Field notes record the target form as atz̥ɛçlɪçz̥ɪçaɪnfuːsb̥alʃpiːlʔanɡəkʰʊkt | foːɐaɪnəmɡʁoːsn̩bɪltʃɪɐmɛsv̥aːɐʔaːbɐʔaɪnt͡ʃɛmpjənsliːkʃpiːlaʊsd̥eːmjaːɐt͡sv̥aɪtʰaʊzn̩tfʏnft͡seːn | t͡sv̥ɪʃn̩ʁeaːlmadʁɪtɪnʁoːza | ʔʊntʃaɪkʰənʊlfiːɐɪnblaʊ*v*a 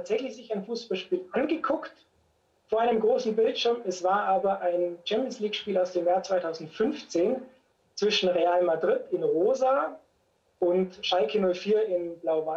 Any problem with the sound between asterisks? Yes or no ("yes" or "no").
no